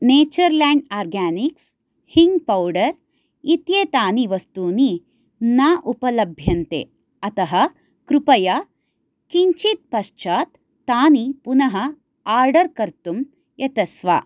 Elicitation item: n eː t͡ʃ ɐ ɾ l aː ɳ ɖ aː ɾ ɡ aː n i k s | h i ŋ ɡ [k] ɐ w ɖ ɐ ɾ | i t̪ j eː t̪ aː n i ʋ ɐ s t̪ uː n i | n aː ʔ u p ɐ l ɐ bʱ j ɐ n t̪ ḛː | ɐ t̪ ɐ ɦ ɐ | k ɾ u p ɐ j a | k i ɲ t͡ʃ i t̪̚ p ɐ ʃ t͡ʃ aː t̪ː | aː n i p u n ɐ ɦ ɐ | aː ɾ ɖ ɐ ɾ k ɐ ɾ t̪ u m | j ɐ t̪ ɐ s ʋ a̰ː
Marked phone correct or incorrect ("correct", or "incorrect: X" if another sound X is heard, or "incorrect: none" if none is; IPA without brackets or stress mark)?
incorrect: p